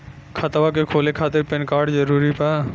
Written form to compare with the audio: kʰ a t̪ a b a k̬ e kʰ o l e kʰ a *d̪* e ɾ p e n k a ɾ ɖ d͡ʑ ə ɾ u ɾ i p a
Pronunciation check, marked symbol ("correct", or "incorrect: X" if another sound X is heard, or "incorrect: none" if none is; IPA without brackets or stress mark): incorrect: t̪